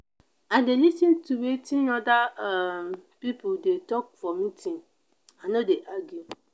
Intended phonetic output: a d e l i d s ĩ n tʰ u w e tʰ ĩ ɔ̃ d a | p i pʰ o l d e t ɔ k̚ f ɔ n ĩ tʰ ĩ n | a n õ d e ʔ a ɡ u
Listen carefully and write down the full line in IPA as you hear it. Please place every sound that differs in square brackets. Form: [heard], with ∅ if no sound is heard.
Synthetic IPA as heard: a d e l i [∅] s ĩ n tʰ u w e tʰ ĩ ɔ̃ d a | p i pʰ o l d e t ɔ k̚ f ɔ [m] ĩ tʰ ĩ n | a n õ d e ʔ a ɡ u